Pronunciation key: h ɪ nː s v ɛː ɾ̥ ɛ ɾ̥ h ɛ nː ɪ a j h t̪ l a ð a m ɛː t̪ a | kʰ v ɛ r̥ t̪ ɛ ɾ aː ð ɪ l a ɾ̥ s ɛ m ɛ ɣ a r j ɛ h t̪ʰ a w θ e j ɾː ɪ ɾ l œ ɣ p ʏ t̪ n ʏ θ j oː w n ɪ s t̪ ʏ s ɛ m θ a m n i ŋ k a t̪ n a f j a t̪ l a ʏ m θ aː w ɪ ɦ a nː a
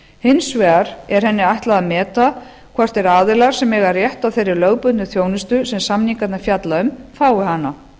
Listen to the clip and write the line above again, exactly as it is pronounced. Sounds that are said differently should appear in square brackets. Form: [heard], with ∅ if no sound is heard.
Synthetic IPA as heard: h ɪ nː s v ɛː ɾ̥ ɛ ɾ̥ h ɛ nː ɪ a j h t̪ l a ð a m ɛː t̪ a | kʰ v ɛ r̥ t̪ ɛ ɾ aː ð ɪ l a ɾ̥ s ɛ m ɛ ɣ a r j ɛ h [t̪] a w θ e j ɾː ɪ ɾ l œ ɣ p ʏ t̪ n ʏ θ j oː w n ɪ s t̪ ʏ s ɛ m [s] a m n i ŋ k a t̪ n a f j a t̪ l a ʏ m [f] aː w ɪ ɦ a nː a